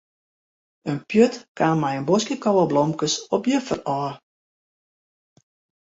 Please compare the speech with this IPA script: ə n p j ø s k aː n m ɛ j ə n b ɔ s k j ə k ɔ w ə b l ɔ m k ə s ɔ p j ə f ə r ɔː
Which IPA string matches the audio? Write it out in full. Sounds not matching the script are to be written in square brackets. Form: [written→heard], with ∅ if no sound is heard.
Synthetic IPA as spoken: ə n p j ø [s→t] k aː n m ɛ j ə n b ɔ s k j ə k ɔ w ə b l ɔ m k ə s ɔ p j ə f ə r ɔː